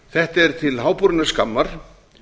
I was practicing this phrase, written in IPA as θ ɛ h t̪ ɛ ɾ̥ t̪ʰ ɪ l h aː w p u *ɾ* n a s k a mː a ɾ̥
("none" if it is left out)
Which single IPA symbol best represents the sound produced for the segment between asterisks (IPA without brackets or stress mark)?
ɾ